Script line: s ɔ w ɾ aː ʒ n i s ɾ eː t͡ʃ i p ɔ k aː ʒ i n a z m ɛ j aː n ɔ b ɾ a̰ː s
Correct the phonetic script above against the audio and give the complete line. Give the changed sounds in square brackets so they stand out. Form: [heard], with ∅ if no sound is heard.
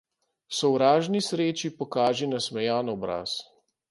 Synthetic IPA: s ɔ w ɾ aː ʒ n i s ɾ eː t͡ʃ i p ɔ k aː ʒ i n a [s] m ɛ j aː n ɔ b ɾ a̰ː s